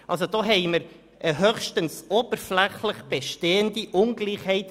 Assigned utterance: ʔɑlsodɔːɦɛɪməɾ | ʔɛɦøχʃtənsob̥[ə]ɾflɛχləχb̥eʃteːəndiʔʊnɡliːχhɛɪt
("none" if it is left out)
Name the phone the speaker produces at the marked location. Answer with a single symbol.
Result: ə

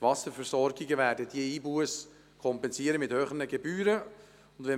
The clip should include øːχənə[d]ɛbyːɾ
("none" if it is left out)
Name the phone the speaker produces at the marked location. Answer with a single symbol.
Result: ɡ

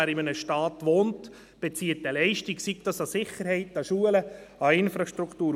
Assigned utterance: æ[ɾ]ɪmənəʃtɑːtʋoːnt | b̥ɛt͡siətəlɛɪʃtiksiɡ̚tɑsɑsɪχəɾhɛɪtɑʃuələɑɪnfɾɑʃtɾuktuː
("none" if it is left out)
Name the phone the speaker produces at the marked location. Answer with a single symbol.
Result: ɾ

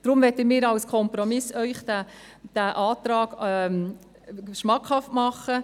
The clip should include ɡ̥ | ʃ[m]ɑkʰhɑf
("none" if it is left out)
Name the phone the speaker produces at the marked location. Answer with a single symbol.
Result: m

